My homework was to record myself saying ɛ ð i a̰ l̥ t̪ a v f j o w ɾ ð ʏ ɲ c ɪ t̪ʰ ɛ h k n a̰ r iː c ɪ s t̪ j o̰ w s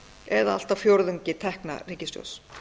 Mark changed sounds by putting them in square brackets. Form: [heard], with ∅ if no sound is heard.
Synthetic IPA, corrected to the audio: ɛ ð [a] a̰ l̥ t̪ a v f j o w ɾ ð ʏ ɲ c ɪ t̪ʰ ɛ h k n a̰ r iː c ɪ s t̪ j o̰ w s